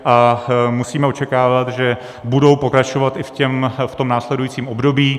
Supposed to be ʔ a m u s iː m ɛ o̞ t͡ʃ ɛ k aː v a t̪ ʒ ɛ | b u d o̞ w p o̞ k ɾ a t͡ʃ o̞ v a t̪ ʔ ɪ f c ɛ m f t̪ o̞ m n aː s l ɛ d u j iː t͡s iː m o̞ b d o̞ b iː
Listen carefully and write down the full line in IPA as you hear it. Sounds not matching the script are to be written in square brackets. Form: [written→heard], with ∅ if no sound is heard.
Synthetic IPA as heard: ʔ a m u s iː m ɛ o̞ t͡ʃ ɛ k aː v a t̪ ʒ ɛ | b u d o̞ w p o̞ k ɾ a t͡ʃ o̞ v a t̪ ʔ ɪ f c ɛ m f t̪ o̞ m n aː s l ɛ d u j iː t͡s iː m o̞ b d o̞ b iː